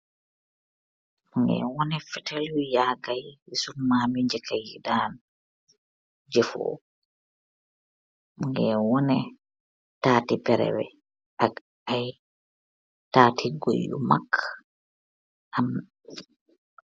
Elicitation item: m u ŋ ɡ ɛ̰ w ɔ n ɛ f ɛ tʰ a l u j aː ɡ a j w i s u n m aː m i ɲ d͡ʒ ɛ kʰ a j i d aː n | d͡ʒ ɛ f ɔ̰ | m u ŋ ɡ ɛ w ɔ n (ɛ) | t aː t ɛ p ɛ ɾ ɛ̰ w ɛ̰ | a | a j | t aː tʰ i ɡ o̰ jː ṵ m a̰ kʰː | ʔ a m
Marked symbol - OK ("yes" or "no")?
yes